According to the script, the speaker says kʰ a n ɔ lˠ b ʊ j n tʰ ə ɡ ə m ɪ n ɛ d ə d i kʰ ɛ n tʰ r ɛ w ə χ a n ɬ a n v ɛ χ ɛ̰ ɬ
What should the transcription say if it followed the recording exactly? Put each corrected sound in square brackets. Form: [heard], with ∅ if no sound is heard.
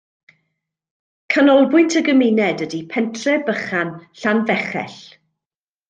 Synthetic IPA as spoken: kʰ a n ɔ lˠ b ʊ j n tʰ ə ɡ ə m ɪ n ɛ d ə d i [pʰ] ɛ n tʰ r ɛ [b] ə χ a n ɬ a n v ɛ χ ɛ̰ ɬ